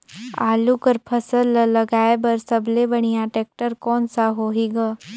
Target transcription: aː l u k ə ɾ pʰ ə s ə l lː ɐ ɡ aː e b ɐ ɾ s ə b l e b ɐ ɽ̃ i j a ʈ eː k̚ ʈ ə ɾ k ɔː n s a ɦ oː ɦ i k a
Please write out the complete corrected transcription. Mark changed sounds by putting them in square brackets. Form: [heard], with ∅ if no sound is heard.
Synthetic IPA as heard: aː l u k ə ɾ pʰ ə s ə l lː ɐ ɡ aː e b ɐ ɾ s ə b l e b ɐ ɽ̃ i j a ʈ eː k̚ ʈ ə ɾ k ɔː n s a ɦ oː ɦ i [ɡ] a